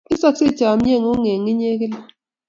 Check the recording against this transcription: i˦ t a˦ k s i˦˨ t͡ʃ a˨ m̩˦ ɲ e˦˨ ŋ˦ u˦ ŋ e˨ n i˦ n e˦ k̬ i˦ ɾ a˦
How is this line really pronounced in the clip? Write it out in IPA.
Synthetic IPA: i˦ s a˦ k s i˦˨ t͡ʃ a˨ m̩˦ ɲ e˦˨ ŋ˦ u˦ ŋ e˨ ŋ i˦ ɲ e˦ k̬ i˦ l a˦